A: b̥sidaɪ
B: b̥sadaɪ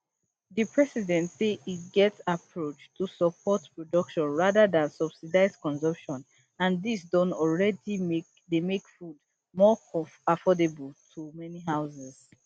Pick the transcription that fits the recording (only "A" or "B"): A